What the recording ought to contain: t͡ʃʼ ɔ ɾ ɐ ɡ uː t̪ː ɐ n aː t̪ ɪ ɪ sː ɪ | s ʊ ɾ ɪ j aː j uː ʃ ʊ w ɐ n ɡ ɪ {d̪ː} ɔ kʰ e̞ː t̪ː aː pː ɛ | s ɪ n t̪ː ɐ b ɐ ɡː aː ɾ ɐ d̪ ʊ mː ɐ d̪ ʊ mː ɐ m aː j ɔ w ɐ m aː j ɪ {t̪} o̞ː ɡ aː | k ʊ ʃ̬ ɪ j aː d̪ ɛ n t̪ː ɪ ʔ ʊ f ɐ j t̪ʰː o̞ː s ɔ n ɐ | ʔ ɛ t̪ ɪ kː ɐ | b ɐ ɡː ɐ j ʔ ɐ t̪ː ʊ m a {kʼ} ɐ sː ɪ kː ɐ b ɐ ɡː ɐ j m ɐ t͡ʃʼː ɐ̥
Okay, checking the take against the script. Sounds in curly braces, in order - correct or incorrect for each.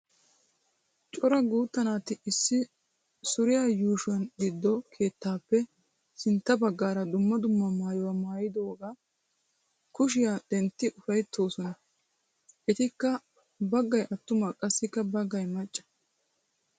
correct, incorrect: d̪, correct

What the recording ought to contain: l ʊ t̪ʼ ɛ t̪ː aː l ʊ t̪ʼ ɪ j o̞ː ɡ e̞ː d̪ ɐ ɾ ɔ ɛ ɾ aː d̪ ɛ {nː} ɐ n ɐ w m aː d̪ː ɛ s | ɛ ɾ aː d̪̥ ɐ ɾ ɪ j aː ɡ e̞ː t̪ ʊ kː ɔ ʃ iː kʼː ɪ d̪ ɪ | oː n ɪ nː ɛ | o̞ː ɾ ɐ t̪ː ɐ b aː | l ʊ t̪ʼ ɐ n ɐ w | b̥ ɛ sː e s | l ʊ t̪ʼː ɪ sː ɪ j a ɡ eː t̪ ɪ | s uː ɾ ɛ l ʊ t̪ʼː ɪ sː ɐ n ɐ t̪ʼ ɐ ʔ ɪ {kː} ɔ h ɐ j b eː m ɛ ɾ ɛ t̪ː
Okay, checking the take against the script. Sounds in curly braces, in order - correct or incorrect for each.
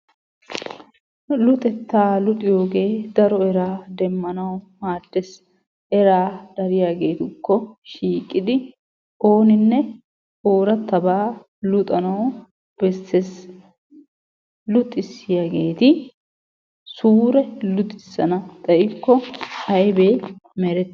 incorrect: mː, correct

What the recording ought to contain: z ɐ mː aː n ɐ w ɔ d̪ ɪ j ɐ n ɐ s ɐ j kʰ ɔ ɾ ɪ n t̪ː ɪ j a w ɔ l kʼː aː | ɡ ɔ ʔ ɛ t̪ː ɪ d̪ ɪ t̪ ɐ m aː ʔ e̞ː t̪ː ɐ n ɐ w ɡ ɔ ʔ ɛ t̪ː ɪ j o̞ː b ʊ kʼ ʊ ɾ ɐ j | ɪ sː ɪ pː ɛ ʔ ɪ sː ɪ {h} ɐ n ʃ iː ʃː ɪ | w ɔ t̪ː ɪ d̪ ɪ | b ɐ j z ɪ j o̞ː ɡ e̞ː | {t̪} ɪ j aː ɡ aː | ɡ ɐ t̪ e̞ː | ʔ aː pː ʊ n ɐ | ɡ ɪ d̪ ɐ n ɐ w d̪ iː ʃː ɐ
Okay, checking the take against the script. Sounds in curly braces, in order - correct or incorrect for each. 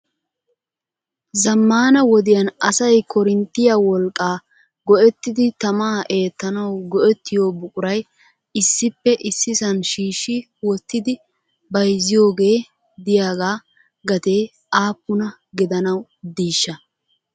incorrect: s, incorrect: d̪

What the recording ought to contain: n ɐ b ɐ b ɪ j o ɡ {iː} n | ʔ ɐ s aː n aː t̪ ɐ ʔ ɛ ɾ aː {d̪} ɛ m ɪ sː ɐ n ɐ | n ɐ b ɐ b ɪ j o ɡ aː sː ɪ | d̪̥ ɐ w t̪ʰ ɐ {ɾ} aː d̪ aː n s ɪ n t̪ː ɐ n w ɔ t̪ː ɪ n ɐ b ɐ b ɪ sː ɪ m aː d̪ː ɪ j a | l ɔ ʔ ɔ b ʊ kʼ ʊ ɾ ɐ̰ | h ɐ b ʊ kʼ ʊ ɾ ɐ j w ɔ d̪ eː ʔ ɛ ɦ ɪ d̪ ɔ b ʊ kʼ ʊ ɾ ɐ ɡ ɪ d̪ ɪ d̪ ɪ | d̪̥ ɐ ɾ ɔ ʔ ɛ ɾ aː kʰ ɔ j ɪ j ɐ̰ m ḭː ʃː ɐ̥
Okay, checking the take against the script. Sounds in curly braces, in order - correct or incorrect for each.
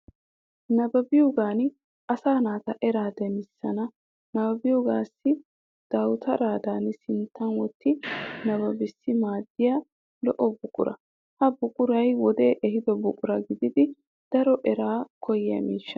incorrect: aː, correct, correct

